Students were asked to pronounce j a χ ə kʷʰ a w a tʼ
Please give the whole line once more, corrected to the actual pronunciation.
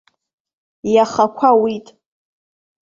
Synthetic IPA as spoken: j a χ a kʷʰ a w i tʼ